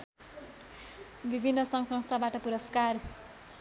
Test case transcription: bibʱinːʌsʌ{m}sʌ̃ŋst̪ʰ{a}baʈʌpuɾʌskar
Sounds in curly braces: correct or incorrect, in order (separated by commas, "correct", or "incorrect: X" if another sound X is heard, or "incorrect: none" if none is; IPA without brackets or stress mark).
incorrect: ŋ, correct